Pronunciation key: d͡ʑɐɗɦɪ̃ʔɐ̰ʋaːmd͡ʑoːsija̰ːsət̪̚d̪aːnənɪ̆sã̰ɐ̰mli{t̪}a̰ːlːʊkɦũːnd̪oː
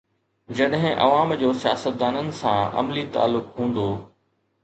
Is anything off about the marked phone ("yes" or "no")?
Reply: no